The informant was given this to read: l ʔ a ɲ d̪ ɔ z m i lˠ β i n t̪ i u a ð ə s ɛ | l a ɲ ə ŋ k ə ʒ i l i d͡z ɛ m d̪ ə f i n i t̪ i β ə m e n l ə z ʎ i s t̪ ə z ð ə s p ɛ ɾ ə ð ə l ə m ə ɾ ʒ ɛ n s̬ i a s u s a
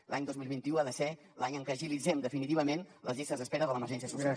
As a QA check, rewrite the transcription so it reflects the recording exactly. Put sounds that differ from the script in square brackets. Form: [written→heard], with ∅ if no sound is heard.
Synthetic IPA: l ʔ a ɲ d̪ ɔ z m i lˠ β i n t̪ i u a ð ə s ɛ | l a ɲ ə ŋ k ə ʒ i l i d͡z ɛ m d̪ ə f i n i t̪ i β ə m e n l ə z ʎ i s t̪ ə z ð ə s p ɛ ɾ ə ð ə l ə m ə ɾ ʒ ɛ n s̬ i [a→ə] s u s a